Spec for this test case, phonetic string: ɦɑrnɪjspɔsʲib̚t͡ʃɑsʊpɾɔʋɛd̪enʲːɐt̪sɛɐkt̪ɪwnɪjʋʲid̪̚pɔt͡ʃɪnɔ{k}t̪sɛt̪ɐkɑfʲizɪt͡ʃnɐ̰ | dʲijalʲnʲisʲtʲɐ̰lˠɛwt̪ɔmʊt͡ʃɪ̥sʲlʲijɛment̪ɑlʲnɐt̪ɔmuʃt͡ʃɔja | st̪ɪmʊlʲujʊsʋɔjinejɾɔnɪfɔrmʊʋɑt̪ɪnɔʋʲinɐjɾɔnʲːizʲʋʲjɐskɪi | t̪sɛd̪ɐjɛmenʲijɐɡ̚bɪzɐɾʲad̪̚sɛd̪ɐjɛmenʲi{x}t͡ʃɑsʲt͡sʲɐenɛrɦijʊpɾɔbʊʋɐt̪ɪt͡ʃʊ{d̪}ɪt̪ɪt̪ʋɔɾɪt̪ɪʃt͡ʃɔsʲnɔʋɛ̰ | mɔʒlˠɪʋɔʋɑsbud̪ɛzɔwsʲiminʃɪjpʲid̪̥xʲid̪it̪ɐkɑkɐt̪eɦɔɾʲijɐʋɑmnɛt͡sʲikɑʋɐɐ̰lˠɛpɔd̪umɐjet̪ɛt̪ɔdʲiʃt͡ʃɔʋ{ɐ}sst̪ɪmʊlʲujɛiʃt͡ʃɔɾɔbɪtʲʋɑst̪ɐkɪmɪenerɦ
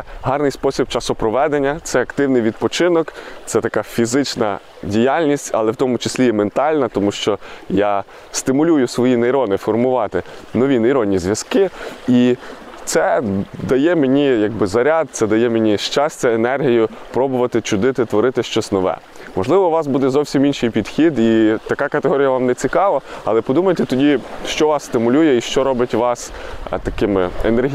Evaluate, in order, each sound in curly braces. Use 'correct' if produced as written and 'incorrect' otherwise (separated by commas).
correct, incorrect, correct, incorrect